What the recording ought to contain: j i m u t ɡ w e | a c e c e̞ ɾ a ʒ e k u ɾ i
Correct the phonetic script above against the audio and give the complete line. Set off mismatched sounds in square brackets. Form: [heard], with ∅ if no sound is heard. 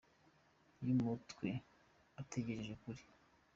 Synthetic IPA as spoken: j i m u t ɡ w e | a [t] e [ɟ] e̞ ɾ [e] ʒ e k u ɾ i

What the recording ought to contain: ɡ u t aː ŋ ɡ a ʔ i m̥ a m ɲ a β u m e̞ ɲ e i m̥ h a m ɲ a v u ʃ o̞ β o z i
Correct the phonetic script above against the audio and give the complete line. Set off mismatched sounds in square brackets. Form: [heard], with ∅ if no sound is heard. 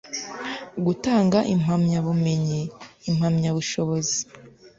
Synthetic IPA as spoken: ɡ u t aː ŋ ɡ a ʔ i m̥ a m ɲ a β u m e̞ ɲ e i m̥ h a m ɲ a [β] u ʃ o̞ β o z i

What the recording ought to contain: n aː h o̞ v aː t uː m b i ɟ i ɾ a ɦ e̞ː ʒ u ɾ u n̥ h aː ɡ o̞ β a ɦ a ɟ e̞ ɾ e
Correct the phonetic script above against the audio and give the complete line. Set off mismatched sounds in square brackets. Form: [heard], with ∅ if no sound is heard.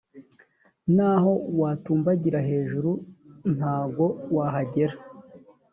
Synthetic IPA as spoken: n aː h o̞ [w] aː t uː m b [a] ɟ i ɾ a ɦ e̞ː ʒ u ɾ u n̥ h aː ɡ o̞ [w] a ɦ a ɟ e̞ ɾ [a]

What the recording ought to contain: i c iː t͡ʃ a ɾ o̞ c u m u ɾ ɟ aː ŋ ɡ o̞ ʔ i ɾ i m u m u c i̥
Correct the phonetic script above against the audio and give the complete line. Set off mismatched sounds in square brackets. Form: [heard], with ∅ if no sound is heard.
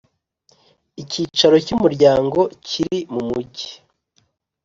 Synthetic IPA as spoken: i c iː t͡ʃ a ɾ o̞ c u m u ɾ ɟ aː ŋ ɡ o̞ [c] i ɾ i m u m u [ɟ] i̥

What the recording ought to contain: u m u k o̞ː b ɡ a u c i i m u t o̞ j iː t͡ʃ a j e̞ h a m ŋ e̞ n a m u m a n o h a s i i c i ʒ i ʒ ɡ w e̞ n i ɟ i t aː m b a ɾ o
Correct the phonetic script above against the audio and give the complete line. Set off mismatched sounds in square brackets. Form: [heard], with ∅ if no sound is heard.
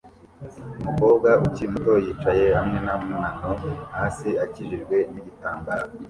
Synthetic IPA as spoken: u m u k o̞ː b ɡ a u c i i m u t o̞ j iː t͡ʃ a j e̞ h a m ŋ e̞ n a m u [n] a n o h a s i [a] c i ʒ i ʒ ɡ w e̞ n i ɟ i t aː m b a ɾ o

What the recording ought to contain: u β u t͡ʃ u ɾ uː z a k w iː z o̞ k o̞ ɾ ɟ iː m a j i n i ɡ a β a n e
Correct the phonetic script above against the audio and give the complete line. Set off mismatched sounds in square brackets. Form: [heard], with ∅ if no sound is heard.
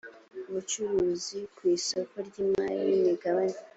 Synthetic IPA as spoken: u β u t͡ʃ u ɾ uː z [i] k w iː [s] o̞ k o̞ ɾ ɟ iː m a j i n i ɡ a β a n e

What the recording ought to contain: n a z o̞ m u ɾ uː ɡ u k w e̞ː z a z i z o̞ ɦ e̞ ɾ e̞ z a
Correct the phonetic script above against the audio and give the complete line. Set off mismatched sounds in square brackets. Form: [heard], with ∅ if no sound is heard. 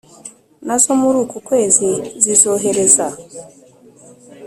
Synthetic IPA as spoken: n a z o̞ m u ɾ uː [k] u k w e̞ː z [i] z i z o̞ ɦ e̞ ɾ e̞ z a

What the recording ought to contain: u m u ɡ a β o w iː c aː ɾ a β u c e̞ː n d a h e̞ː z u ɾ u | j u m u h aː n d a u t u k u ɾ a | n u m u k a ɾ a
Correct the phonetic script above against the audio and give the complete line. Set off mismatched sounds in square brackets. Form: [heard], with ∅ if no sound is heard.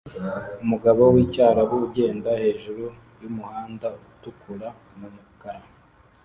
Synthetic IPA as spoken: u m u ɡ a β o w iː c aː ɾ a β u [ɟ] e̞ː n d a h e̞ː [ʒ] u ɾ u | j u m u h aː n d a u t u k u ɾ a | [m] u m u k a ɾ a

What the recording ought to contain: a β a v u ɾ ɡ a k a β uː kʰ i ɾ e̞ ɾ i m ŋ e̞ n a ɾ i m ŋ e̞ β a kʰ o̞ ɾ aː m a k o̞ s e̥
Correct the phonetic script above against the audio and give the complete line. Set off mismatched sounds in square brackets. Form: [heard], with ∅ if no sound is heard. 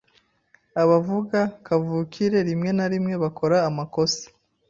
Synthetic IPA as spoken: a β a v u [∅] ɡ a k a [v] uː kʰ i ɾ e̞ ɾ i m ŋ e̞ n a ɾ i m ŋ e̞ β a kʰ o̞ ɾ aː m a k o̞ s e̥

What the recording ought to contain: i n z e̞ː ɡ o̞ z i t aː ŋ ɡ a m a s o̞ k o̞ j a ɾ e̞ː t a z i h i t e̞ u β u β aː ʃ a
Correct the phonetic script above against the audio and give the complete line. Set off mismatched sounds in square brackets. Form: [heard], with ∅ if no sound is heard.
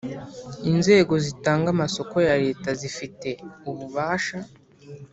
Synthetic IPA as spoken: i n z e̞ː ɡ o̞ z i t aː ŋ ɡ a m a s o̞ k o̞ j a ɾ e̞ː t a z i [f] i t e̞ u β u β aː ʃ a

